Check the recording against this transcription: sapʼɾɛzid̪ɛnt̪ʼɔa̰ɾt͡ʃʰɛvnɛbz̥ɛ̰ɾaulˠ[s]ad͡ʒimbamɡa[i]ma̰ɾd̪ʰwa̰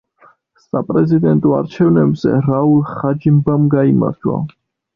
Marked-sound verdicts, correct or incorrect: incorrect, correct

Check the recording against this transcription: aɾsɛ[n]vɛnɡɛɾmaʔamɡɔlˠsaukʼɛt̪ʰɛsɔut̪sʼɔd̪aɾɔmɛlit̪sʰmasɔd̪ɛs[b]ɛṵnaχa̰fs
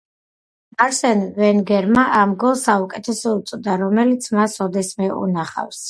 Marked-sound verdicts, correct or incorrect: correct, incorrect

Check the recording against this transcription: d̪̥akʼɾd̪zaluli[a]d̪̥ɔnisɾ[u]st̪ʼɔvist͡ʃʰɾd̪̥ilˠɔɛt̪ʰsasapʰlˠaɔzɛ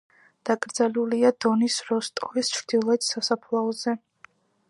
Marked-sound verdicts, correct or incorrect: correct, incorrect

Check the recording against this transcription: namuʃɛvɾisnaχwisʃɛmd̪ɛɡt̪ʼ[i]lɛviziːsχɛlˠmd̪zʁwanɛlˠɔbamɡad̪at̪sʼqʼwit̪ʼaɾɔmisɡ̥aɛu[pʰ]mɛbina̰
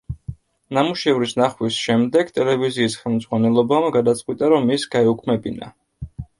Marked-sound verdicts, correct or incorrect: incorrect, incorrect

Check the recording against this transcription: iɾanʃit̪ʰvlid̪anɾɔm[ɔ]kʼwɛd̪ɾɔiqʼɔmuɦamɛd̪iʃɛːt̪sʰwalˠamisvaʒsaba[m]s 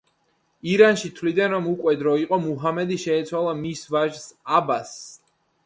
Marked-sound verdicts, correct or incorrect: incorrect, incorrect

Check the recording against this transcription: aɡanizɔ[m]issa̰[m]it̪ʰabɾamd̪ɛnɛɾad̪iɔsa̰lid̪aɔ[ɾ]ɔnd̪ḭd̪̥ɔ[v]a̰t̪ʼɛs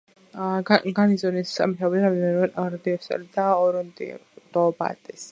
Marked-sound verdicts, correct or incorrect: incorrect, correct, correct, incorrect

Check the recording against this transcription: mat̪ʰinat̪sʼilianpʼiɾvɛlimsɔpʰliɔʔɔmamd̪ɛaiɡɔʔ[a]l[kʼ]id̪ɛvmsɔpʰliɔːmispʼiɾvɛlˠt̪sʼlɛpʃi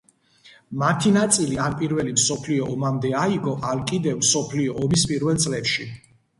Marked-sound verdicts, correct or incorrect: correct, correct

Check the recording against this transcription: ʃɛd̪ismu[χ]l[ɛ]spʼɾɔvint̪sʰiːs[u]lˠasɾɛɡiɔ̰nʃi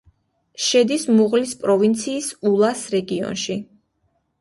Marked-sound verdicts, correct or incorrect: incorrect, incorrect, correct

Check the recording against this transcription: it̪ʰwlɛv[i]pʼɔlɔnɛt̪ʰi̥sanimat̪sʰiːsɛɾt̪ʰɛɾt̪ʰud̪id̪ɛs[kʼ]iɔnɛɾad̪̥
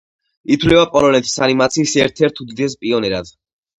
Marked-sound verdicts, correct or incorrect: incorrect, incorrect

